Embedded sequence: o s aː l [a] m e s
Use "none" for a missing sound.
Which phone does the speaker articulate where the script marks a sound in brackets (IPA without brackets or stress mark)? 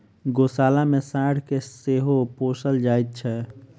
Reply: a